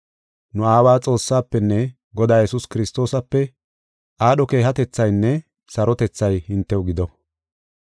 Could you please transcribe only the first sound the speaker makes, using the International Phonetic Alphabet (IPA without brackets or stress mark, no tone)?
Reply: n